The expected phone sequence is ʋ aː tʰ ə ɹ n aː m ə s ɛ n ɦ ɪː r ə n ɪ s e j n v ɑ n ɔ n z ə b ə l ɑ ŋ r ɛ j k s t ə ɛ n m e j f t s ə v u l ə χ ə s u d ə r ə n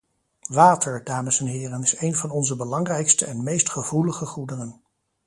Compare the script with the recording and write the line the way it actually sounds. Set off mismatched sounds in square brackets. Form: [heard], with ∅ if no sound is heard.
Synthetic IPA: ʋ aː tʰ ə ɹ [d] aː m ə s ɛ n ɦ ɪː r ə n ɪ s e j n v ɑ n ɔ n z ə b ə l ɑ ŋ r ɛ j k s t ə ɛ n m e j [s] t [χ] ə v u l ə χ ə [χ] u d ə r ə n